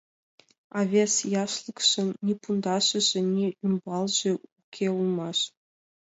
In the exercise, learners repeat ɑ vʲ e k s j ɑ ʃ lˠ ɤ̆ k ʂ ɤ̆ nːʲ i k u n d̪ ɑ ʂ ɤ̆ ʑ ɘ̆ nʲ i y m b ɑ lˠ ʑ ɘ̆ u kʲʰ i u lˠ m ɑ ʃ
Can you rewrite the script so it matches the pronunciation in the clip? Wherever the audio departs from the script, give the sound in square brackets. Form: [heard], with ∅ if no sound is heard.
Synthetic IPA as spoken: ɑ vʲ e [∅] s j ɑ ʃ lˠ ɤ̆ k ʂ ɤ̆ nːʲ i [p] u n d̪ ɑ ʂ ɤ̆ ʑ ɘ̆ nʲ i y m b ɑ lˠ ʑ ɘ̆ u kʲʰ [e] u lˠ m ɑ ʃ